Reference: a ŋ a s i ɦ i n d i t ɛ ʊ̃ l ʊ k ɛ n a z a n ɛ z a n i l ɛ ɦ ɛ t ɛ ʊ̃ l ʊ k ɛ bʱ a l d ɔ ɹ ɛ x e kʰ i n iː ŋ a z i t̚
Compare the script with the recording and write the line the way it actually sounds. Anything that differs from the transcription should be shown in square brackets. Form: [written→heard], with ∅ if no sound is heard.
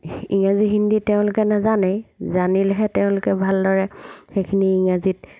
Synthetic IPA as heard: [a→i] ŋ a [s→z] i ɦ i n d i t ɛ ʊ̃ l ʊ k ɛ n a z a n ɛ z a n i l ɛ ɦ ɛ t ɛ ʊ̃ l ʊ k ɛ bʱ a l d ɔ ɹ ɛ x e kʰ i n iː ŋ a z i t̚